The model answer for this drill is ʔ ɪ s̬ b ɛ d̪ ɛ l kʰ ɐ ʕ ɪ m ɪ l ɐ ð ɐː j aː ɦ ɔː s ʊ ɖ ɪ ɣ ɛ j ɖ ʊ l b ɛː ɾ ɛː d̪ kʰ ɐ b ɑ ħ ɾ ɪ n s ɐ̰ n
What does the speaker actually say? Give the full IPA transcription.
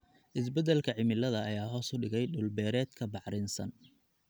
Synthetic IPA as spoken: ʔ ɪ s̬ b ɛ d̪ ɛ l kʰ ɐ ʕ ɪ m ɪ l ɐ ð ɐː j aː ɦ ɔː s ʊ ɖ ɪ ɣ ɛ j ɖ ʊ l b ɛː ɾ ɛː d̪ kʰ ɐ b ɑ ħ ɾ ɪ n s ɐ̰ n